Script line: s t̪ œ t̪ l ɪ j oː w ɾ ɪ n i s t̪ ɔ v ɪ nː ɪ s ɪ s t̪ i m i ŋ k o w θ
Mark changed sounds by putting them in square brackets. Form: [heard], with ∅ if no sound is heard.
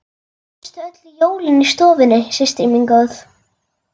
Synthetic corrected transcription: s t̪ œ t̪ l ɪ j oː w [l] ɪ n i s t̪ [ɔː] v ɪ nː ɪ s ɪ s t̪ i m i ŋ k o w θ